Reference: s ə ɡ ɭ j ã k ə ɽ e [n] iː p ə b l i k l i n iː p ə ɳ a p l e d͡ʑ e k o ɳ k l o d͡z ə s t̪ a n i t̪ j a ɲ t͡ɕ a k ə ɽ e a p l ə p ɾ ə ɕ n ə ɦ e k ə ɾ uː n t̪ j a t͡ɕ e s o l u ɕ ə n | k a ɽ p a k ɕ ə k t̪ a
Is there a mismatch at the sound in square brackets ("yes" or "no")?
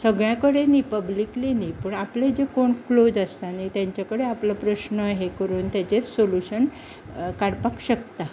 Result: no